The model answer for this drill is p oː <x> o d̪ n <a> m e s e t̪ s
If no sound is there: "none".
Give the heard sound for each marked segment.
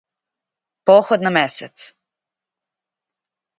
x, a

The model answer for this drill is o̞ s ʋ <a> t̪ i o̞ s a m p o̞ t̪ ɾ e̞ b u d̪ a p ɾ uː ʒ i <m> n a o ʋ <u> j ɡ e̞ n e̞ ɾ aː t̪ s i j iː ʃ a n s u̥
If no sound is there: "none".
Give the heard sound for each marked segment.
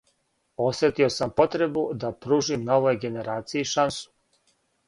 e, m, o

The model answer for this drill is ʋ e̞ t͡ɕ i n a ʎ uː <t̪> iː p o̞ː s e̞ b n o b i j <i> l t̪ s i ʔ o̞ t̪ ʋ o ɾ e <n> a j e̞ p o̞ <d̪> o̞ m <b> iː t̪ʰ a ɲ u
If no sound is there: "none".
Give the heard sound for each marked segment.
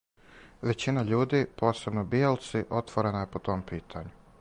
d̪, e, n, t̪, p

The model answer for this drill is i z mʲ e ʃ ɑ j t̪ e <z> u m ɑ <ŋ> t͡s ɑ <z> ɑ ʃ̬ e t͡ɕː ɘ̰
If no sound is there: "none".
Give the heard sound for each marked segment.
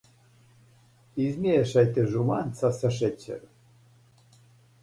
ʒ, n, s

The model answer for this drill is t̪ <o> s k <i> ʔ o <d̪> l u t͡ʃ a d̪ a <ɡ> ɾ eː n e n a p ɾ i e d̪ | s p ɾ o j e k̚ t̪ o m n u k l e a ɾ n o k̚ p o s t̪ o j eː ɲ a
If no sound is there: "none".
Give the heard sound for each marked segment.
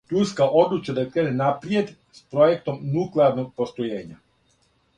u, a, d̪, k

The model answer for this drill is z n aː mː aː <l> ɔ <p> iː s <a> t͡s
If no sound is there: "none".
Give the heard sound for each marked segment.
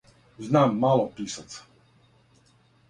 l, p, a

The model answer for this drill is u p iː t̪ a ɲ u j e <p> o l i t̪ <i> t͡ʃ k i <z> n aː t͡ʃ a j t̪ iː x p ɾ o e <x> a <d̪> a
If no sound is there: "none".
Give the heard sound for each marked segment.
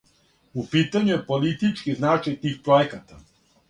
p, i, z, k, t̪

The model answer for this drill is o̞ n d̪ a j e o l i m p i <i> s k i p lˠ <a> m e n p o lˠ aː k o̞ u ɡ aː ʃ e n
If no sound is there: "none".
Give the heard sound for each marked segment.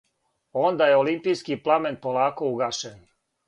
j, a

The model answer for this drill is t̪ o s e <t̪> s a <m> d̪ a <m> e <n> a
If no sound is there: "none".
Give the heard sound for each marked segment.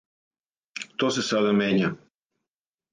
none, none, m, ɲ

